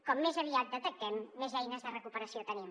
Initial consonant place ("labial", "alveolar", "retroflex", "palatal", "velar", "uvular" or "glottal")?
velar